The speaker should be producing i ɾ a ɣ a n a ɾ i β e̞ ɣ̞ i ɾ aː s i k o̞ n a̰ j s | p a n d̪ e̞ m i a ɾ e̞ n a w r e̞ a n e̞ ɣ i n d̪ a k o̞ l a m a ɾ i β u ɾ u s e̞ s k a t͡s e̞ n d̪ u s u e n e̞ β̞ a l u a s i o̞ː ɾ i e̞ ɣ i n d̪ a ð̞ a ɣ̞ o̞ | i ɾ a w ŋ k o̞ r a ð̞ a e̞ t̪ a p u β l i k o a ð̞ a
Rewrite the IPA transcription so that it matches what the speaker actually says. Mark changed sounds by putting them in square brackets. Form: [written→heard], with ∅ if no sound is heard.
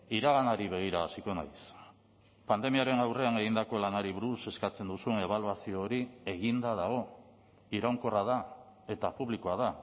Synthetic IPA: i ɾ a ɣ a n a ɾ i β e̞ ɣ̞ i ɾ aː s i k o̞ n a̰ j s | p a n d̪ e̞ m i a ɾ e̞ n a w r e̞ a n e̞ ɣ i n d̪ a k o̞ l a [m→n] a ɾ i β u ɾ u s e̞ s k a t͡s e̞ n d̪ u s u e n e̞ β̞ a l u a s i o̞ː ɾ i e̞ ɣ i n d̪ a ð̞ a ɣ̞ o̞ | i ɾ a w ŋ k o̞ r a ð̞ a e̞ t̪ a p u β l i k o a ð̞ a

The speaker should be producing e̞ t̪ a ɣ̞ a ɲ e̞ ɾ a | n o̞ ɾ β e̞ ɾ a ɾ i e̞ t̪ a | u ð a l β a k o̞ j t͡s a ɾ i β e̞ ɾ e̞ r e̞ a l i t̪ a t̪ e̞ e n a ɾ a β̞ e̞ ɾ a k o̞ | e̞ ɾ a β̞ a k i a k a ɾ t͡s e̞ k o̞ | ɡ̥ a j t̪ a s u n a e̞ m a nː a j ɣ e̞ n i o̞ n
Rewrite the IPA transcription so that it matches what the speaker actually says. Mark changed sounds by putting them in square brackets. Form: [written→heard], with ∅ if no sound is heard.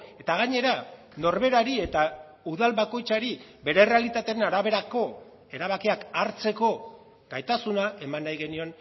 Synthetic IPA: e̞ t̪ a ɣ̞ a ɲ e̞ ɾ a | n o̞ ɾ β e̞ ɾ a ɾ i e̞ t̪ a | u ð a l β a k o̞ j t͡s a ɾ i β e̞ ɾ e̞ r e̞ a l i t̪ a t̪ e̞ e n a ɾ a β̞ e̞ ɾ a k o̞ | e̞ ɾ a β̞ a k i a k a ɾ t͡s e̞ k o̞ | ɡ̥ a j t̪ a s u n a e̞ m a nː a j ɣ e̞ n i o̞ n

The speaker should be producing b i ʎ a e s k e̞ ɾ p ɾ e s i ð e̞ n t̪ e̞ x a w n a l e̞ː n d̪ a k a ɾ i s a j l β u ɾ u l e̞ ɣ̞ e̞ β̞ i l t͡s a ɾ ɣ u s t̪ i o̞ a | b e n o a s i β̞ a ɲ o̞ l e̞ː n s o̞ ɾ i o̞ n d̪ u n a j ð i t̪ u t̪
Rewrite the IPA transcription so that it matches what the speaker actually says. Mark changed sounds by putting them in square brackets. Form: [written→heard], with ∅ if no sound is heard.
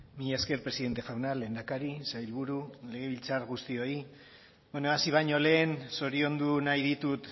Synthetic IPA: [b→m] i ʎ a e s k e̞ ɾ p ɾ e s i ð e̞ n t̪ e̞ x a w n a l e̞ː n d̪ a k a ɾ i s a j l β u ɾ u l e̞ ɣ̞ e̞ β̞ i l t͡s a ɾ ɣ u s t̪ i o̞ [a→i] | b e n o a s i β̞ a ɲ o̞ l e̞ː n s o̞ ɾ i o̞ n d̪ u n a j ð i t̪ u t̪

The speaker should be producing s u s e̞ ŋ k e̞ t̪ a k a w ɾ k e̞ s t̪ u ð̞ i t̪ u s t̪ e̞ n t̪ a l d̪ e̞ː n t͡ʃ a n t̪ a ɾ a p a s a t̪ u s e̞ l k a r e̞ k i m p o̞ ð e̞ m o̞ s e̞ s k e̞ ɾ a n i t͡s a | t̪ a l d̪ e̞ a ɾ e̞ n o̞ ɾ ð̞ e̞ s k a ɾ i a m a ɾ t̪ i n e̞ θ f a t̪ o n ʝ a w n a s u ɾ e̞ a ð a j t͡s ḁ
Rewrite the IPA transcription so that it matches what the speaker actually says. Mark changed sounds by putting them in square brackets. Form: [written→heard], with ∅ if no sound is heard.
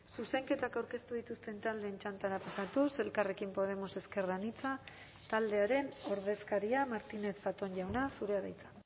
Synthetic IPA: s u s e̞ ŋ k e̞ t̪ a k a w ɾ k e̞ s t̪ u ð̞ i t̪ u s t̪ e̞ n t̪ a l d̪ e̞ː n t͡ʃ a n t̪ a ɾ a p a s a t̪ u s e̞ l k a r e̞ k i m p o̞ ð e̞ m o̞ s e̞ s k e̞ [ɾ→r] a n i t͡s a | t̪ a l d̪ e̞ a ɾ e̞ n o̞ ɾ ð̞ e̞ s k a ɾ i a m a ɾ t̪ i n e̞ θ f a t̪ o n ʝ a w n a s u ɾ e̞ a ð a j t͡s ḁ

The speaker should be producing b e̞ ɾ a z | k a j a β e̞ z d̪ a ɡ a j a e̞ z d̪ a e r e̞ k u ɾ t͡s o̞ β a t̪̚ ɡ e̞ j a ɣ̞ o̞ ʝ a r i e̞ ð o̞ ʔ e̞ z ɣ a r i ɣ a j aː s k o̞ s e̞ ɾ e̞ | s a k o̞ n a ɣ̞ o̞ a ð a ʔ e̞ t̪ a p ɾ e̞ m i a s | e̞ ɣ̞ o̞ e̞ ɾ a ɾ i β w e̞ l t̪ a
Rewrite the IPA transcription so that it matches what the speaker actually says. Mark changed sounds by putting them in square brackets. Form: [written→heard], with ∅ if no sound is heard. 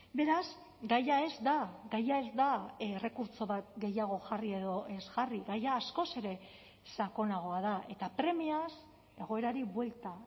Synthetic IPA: b e̞ ɾ a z | [k→ɡ] a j a [β→∅] e̞ z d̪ a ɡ a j a e̞ z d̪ a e r e̞ k u ɾ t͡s o̞ β a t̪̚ ɡ e̞ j a ɣ̞ o̞ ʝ a r i e̞ ð o̞ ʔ e̞ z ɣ a r i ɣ a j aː s k o̞ s e̞ ɾ e̞ | s a k o̞ n a ɣ̞ o̞ a ð a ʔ e̞ t̪ a p ɾ e̞ m i a s | e̞ ɣ̞ o̞ e̞ ɾ a ɾ i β w e̞ l t̪ a

